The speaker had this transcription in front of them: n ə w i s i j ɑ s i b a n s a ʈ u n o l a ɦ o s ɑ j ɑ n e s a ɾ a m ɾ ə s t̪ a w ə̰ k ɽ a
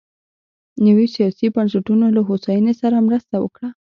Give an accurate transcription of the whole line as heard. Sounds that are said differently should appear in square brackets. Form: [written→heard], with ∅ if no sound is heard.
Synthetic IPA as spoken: n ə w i s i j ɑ s i b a n s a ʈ u n o l a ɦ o s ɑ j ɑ n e s a ɾ a m ɾ ə s t̪ a w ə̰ k ɽ a